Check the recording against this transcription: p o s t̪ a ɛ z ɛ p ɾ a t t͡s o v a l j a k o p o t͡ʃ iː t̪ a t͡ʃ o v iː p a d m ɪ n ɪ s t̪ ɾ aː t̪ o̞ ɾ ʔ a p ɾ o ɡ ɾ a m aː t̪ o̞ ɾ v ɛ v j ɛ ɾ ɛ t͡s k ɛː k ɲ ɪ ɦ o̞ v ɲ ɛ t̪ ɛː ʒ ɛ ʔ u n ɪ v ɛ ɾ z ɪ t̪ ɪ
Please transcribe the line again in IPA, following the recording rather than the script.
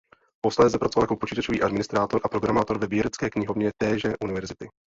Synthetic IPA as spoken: p o s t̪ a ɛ z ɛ p ɾ a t t͡s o v a l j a k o p o t͡ʃ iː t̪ a t͡ʃ o v iː ʔ a d m ɪ n ɪ s t̪ ɾ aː t̪ o̞ ɾ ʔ a p ɾ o ɡ ɾ a m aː t̪ o̞ ɾ v ɛ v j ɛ ɾ ɛ t͡s k ɛː k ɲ ɪ ɦ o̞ v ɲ ɛ t̪ ɛː ʒ ɛ ʔ u n ɪ v ɛ ɾ z ɪ t̪ ɪ